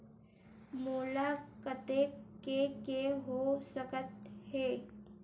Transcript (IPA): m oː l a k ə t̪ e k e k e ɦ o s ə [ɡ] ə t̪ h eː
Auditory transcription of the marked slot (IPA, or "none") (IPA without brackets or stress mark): k